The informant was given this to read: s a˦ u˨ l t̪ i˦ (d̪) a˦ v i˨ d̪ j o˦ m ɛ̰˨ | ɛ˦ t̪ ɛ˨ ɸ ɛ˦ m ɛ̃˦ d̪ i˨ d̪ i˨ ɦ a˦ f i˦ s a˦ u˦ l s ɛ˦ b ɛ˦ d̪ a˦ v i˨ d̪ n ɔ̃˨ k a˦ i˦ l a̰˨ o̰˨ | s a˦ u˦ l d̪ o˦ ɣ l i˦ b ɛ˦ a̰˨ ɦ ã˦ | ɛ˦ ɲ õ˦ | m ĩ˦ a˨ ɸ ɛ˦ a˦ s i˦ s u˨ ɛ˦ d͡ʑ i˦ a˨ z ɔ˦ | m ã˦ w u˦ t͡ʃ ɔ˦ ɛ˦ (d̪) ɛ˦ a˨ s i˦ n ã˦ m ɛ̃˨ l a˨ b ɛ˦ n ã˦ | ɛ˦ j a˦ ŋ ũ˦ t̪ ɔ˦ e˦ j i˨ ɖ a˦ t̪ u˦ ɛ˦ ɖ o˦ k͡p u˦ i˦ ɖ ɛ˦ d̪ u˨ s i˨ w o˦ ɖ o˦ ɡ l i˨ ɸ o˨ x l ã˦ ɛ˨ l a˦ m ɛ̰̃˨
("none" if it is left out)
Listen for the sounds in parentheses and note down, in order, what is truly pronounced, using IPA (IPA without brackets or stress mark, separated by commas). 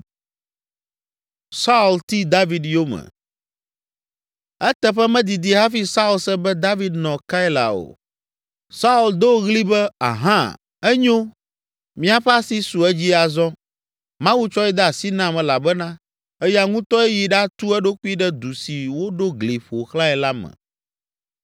d̪, d̪